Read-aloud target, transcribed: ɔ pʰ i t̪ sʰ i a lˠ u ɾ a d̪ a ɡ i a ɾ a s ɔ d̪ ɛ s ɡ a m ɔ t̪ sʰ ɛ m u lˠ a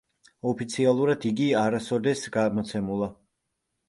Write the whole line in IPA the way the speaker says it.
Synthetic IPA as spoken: ɔ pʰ i t̪ sʰ i a lˠ u ɾ a d̪ i ɡ i a ɾ a s ɔ d̪ ɛ s ɡ a m ɔ t̪ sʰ ɛ m u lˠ a